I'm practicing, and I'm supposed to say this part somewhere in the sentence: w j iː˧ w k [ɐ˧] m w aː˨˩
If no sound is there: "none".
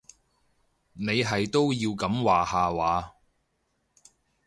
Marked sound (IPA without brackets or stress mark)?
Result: ɐ˨˥